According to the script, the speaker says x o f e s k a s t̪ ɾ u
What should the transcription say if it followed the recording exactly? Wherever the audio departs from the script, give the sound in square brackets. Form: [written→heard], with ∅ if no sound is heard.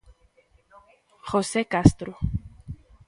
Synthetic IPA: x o [f→s] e [s→∅] k a s t̪ ɾ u